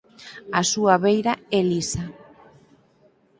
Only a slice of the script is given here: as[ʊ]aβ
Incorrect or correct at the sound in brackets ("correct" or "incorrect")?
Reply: incorrect